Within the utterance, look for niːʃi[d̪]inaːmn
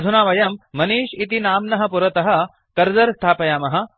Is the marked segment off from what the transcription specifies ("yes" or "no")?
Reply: yes